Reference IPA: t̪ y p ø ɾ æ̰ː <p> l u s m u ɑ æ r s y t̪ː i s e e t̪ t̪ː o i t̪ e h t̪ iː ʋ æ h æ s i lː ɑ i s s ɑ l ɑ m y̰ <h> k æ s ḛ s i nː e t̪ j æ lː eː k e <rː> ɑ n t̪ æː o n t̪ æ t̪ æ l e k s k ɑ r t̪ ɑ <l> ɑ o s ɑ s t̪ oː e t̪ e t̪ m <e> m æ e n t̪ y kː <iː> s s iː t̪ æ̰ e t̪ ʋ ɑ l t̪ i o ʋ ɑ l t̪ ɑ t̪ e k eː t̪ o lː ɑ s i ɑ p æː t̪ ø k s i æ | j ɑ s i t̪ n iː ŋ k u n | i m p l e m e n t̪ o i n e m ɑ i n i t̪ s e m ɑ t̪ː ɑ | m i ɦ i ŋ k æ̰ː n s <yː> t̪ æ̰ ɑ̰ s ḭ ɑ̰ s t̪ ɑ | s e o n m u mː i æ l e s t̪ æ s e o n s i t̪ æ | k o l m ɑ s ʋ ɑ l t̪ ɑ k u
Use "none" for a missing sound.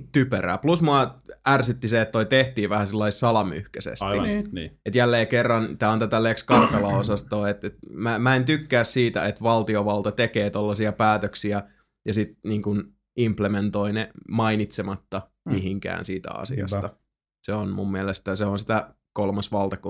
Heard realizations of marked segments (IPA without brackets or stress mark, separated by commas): p, h, rː, l, æ, æː, iː